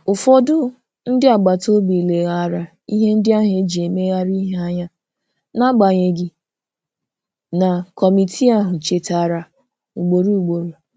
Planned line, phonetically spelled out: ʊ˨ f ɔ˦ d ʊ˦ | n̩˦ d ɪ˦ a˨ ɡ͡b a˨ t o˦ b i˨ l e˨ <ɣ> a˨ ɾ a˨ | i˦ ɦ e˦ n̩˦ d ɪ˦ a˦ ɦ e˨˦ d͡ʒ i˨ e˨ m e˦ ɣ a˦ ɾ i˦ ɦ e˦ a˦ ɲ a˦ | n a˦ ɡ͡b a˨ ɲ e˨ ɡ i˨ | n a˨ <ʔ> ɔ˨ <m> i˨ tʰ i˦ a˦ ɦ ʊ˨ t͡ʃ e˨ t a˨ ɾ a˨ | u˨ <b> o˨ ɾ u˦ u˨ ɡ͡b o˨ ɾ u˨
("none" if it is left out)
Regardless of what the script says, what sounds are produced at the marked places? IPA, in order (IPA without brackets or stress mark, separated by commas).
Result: ɣ, k, m, ɡ͡b